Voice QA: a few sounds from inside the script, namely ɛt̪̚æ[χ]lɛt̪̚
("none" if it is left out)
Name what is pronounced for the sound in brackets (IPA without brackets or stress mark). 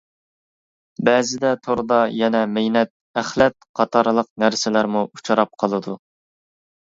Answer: χ